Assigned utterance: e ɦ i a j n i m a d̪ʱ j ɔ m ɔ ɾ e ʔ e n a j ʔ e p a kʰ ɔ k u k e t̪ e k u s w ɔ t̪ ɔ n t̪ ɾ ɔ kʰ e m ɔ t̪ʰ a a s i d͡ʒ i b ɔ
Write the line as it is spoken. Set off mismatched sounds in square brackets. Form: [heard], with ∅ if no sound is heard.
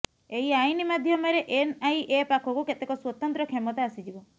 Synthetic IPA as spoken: e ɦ i a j n i m a d̪ʱ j ɔ m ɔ ɾ e ʔ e n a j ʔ e p a kʰ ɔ k u k e t̪ e k [ɔ] s w ɔ t̪ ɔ n t̪ ɾ ɔ kʰ e m ɔ [t̪] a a s i d͡ʒ i b ɔ